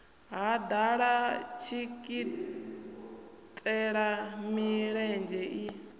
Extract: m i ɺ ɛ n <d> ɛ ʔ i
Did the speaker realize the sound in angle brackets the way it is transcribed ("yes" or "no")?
no